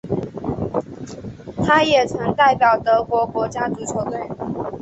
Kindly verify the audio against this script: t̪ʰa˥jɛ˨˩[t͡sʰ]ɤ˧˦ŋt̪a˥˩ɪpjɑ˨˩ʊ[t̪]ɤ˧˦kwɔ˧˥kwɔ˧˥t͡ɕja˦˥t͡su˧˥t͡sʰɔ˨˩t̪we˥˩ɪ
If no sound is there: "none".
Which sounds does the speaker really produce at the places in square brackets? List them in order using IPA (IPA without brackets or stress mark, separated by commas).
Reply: t͡sʰ, t̪